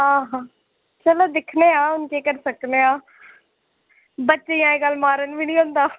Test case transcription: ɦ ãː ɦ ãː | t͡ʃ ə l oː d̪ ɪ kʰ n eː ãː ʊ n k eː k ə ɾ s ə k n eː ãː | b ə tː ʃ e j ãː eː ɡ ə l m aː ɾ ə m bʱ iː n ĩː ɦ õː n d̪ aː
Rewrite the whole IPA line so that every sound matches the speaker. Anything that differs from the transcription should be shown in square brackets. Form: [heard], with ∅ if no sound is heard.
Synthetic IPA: ɦ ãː ɦ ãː | t͡ʃ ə l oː d̪ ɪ kʰ n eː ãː ʊ n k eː k ə ɾ s ə k n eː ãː | b ə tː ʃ e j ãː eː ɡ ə l m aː ɾ ə [n] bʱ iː n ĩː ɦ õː n d̪ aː

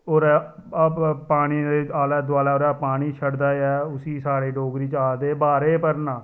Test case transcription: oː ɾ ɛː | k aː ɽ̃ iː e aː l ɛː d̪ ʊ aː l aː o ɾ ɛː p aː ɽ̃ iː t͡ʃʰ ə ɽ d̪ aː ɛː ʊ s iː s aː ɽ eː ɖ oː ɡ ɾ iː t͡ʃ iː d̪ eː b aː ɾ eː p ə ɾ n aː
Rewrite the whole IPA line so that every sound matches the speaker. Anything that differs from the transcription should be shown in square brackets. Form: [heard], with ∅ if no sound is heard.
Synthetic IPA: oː ɾ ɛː | [p] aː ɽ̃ iː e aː l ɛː d̪ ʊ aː l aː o ɾ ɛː p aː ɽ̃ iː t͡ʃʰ ə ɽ d̪ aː ɛː ʊ s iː s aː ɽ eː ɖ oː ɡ ɾ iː t͡ʃ [aː] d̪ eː b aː ɾ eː p ə ɾ n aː

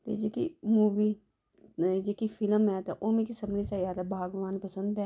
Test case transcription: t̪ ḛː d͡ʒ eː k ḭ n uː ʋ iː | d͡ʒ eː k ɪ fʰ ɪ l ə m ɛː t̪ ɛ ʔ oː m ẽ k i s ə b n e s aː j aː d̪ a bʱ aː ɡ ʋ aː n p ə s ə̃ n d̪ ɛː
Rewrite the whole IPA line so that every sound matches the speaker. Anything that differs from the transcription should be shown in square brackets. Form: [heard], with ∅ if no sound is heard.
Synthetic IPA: t̪ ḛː d͡ʒ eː k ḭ [m] uː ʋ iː | d͡ʒ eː k [i] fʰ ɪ l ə m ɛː t̪ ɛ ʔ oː m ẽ k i s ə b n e s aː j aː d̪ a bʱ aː ɡ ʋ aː n p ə s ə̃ n d̪ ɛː

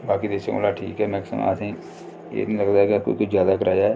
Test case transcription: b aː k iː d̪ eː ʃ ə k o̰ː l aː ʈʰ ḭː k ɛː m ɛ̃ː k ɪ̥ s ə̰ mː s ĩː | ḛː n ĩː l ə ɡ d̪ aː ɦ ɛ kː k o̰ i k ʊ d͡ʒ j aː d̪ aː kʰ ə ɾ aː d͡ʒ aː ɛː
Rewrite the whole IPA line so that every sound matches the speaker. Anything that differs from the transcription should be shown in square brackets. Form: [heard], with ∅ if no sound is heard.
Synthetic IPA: b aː k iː d̪ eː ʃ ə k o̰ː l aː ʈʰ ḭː k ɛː m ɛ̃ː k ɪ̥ s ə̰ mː s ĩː | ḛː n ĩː l ə ɡ d̪ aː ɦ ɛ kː k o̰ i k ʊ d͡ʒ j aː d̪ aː [k] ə ɾ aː d͡ʒ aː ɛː

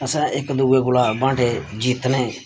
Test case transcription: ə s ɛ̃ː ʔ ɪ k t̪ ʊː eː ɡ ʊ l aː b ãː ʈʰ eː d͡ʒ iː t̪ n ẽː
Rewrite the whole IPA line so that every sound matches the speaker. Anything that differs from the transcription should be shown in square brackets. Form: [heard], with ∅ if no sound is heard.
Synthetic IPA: ə s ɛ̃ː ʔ ɪ k [d̪] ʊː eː ɡ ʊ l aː b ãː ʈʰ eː d͡ʒ iː t̪ n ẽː

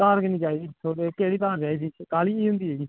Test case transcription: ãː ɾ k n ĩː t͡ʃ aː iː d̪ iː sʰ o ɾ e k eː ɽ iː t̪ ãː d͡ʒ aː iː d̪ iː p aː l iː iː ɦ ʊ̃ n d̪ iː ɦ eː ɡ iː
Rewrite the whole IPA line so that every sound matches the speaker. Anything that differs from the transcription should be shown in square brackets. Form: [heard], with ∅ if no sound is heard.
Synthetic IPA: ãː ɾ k n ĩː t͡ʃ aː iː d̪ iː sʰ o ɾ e k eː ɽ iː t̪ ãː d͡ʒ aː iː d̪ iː [k] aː l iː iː ɦ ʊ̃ n d̪ iː ɦ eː ɡ iː

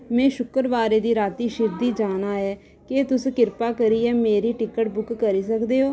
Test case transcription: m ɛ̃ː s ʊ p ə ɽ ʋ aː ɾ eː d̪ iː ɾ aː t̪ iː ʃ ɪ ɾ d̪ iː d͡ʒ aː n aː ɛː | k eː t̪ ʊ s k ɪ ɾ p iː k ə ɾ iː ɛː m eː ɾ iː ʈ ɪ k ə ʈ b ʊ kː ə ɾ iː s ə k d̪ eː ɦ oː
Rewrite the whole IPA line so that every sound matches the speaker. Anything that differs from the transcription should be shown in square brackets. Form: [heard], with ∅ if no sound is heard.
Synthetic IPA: m ɛ̃ː [ʃ] ʊ [k] ə [ɾ] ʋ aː ɾ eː d̪ iː ɾ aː t̪ iː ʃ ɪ ɾ d̪ iː d͡ʒ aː n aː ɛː | k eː t̪ ʊ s k ɪ ɾ p [aː] k ə ɾ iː ɛː m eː ɾ iː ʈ ɪ k ə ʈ b ʊ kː ə ɾ iː s ə k d̪ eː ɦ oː

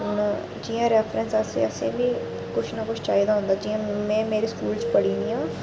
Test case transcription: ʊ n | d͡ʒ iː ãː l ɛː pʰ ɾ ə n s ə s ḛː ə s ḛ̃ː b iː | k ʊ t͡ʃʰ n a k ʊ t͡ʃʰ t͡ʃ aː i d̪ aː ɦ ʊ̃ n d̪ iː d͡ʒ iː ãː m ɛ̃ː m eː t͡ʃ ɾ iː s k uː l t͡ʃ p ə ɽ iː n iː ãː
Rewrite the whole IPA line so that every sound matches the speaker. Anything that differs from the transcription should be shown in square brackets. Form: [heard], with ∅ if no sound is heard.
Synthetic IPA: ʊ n | d͡ʒ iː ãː [ɾ] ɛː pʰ ɾ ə n s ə s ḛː ə s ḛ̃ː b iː | k ʊ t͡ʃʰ n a k ʊ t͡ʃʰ t͡ʃ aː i d̪ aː ɦ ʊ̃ n d̪ [aː] d͡ʒ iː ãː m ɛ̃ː m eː [∅] ɾ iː s k uː l t͡ʃ p ə ɽ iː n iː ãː

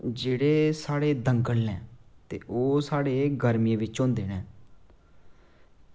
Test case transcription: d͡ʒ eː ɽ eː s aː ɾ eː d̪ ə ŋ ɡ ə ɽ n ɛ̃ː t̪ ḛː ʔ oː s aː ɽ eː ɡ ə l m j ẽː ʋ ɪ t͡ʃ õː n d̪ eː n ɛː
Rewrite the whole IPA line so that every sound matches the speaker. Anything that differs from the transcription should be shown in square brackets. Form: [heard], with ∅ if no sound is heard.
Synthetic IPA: d͡ʒ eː ɽ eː s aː [ɽ] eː d̪ ə ŋ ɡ ə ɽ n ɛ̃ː t̪ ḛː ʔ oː s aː ɽ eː ɡ ə [ɾ] m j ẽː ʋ ɪ t͡ʃ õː n d̪ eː n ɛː

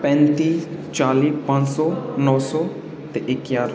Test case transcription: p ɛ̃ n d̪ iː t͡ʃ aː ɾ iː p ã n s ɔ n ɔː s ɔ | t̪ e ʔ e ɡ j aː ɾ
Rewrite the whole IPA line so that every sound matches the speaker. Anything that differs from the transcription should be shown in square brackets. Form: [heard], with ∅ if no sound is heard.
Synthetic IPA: p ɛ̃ n [t̪] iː t͡ʃ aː [l] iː p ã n s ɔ n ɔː s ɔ | t̪ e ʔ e [k] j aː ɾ

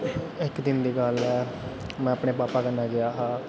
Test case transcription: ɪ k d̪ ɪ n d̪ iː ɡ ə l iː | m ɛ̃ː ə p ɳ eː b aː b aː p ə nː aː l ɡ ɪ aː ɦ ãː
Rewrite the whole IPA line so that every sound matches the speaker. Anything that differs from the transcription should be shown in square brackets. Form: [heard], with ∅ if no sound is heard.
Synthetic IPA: ɪ k d̪ ɪ n d̪ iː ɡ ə l [ɛː] | m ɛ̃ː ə p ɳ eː [p] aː [p] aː [k] ə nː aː [∅] ɡ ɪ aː ɦ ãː

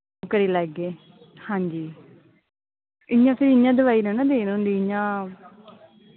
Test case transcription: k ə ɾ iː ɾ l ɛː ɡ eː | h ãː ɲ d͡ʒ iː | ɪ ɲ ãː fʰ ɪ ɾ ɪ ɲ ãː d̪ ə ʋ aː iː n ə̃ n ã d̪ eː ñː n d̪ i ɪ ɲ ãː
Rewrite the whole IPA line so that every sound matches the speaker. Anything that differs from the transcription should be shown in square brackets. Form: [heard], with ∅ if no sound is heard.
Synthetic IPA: k ə ɾ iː [∅] l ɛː ɡ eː | h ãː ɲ d͡ʒ iː | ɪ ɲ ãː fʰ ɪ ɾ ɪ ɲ ãː d̪ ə ʋ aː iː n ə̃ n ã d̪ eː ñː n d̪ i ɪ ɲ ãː

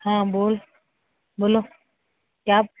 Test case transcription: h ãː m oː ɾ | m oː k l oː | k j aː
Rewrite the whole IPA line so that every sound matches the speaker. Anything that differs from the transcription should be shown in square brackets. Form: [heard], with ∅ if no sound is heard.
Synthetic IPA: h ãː [b] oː [l] | [b] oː [∅] l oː | k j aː

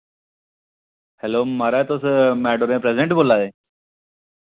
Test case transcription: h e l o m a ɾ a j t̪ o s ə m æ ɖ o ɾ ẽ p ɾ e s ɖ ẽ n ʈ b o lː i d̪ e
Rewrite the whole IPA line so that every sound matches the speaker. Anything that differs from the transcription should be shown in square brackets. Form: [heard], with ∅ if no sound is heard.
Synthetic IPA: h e l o m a ɾ a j t̪ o s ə m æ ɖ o ɾ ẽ p ɾ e s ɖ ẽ [ɳ] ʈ b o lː [a] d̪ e

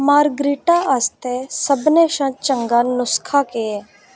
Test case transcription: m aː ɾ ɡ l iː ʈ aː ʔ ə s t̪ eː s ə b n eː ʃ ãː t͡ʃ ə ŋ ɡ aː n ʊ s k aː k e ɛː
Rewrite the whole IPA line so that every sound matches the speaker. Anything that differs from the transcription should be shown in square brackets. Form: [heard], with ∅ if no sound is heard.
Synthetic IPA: m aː ɾ ɡ [ɾ] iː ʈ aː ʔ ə s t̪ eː s ə b n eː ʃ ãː t͡ʃ ə ŋ ɡ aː n ʊ s [kʰ] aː k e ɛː

